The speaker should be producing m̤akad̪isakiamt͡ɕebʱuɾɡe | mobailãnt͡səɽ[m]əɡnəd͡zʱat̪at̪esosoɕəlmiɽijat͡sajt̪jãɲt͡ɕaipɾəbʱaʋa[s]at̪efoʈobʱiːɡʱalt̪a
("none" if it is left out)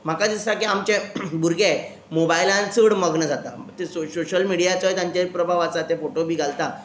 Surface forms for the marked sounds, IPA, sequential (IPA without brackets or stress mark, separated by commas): m, t͡s